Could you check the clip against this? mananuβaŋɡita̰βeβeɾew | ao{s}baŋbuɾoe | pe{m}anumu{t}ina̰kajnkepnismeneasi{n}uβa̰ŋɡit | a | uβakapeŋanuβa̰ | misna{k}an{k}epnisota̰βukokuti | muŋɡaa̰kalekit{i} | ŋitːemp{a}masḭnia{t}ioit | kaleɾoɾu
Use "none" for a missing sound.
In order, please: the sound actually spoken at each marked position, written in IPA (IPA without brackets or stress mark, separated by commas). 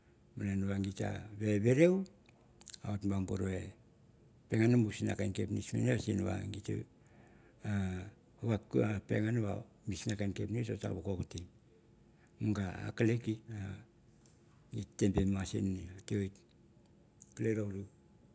t, ŋ, s, n, k, k, a, e, t